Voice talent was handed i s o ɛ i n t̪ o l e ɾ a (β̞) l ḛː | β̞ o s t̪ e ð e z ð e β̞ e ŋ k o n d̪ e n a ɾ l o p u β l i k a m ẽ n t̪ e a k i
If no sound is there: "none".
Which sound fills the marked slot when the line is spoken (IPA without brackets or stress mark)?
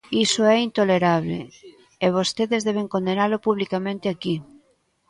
β̞